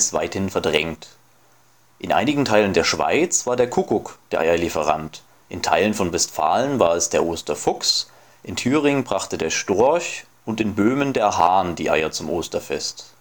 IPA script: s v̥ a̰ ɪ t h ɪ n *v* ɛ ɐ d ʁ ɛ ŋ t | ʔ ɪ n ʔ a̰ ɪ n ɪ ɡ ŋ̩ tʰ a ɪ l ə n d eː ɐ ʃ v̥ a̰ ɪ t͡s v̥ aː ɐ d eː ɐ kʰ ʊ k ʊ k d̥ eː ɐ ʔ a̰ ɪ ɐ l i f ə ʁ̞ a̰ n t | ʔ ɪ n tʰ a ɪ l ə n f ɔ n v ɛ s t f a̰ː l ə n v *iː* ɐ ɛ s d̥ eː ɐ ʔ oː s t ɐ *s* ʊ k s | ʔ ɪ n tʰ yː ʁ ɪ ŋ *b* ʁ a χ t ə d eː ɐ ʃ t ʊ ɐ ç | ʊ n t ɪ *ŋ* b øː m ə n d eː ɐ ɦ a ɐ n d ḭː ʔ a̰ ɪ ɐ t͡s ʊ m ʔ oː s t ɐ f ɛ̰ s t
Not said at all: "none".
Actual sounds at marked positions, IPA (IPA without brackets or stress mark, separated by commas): f, aː, f, b, n